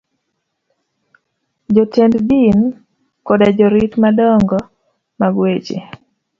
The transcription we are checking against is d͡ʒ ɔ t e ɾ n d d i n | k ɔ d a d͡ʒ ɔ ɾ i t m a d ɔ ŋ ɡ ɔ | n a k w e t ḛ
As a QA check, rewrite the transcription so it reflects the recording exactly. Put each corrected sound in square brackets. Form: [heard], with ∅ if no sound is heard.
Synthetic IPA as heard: d͡ʒ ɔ t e [∅] n d d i n | k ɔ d a d͡ʒ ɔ ɾ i t m a d ɔ ŋ ɡ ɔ | [m] a [ɡ] w e [t͡ʃ] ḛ